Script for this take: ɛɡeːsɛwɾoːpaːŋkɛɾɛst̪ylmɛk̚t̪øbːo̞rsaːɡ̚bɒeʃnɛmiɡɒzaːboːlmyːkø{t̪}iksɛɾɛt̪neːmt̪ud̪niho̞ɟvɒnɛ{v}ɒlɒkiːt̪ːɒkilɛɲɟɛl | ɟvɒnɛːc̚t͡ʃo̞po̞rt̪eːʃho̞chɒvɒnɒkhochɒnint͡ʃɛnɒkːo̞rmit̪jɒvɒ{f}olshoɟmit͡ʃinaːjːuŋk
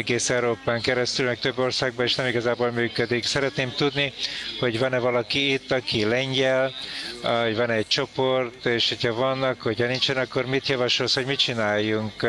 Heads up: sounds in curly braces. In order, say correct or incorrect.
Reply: incorrect: d̪, correct, incorrect: ʃ

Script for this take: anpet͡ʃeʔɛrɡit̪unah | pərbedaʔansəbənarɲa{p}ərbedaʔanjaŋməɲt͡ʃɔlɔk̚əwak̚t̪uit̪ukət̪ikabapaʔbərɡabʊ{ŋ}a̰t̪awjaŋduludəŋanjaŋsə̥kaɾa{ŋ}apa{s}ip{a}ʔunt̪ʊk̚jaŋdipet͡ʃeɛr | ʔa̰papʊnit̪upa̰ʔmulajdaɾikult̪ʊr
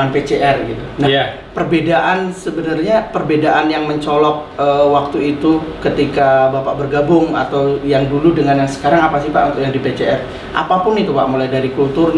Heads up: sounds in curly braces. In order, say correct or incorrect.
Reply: correct, correct, correct, correct, correct

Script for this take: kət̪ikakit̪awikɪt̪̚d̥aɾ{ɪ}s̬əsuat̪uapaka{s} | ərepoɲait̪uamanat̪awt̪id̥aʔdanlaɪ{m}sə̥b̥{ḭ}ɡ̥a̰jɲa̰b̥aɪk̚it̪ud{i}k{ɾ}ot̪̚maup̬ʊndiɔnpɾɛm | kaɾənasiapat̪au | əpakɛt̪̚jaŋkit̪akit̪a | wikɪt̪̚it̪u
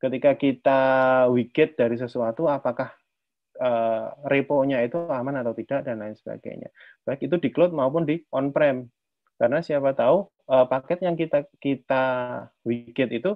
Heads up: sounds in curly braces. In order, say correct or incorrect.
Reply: incorrect: i, incorrect: h, incorrect: n, incorrect: a̰, correct, incorrect: l

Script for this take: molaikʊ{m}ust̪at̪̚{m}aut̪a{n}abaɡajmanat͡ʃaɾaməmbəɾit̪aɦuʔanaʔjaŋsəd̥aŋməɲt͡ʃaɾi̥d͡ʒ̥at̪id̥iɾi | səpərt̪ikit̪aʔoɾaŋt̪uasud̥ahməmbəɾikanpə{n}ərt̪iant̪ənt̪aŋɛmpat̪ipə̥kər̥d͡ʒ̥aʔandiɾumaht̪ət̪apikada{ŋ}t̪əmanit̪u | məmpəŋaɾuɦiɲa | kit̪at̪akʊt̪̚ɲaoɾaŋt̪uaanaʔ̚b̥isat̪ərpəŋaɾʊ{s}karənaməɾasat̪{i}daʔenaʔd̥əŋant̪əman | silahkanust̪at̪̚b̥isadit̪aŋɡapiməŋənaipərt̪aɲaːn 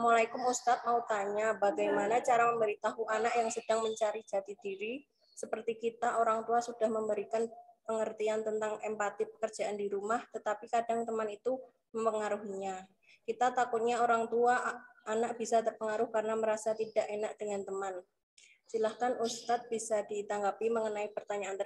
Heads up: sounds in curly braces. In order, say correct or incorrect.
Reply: correct, correct, incorrect: ɲ, incorrect: ŋ, correct, incorrect: h, correct

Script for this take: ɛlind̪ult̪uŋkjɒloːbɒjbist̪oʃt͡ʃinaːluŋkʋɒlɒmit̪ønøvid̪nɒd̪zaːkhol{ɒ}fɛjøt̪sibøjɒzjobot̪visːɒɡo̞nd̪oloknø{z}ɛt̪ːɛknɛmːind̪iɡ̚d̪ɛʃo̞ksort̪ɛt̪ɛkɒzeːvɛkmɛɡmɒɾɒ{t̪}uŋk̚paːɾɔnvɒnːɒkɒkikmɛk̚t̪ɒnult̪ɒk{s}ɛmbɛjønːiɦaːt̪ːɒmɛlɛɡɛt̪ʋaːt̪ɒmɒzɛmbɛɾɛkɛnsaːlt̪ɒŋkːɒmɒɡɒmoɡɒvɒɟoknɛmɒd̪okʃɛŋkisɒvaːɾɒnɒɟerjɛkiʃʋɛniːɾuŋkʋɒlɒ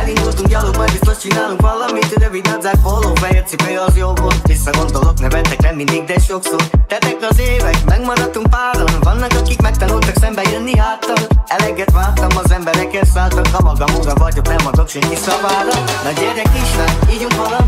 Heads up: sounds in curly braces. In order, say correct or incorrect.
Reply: incorrect: o, incorrect: v, correct, correct

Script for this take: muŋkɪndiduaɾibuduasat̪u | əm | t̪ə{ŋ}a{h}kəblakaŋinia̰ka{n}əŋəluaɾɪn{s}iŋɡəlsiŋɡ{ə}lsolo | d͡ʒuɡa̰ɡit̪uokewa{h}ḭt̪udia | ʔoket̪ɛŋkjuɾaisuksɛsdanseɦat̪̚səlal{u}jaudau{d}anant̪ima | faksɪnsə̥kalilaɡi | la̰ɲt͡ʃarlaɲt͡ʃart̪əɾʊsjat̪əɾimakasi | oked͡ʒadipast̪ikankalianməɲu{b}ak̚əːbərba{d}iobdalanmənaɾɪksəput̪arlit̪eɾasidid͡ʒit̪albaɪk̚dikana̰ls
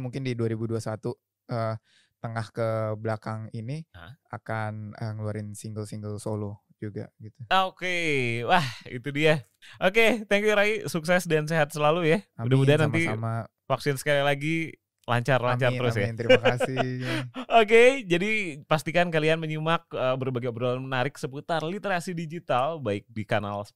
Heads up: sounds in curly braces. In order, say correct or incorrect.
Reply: correct, correct, correct, correct, correct, correct, correct, correct, incorrect: m, incorrect: ɡ

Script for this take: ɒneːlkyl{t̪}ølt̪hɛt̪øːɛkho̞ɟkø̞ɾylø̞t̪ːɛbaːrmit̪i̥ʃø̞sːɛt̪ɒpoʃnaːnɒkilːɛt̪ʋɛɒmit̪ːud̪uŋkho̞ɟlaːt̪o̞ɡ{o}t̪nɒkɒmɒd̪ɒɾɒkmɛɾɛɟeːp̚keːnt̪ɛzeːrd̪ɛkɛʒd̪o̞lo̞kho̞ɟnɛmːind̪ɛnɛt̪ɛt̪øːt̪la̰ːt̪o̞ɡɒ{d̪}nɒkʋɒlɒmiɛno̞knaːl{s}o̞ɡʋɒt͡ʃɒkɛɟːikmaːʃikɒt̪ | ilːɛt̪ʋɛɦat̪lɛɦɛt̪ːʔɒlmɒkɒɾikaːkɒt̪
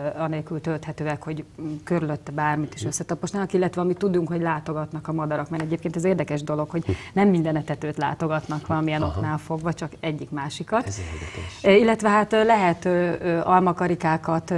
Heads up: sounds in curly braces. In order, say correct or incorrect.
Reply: correct, incorrect: ɒ, incorrect: t̪, incorrect: f

